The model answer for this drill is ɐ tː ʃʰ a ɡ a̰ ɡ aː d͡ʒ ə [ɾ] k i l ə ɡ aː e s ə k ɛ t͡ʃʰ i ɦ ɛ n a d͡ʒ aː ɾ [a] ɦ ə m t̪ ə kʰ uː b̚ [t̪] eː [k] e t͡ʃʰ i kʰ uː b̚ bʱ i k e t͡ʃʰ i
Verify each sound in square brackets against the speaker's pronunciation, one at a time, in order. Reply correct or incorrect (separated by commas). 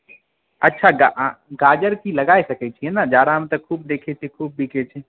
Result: correct, correct, incorrect, incorrect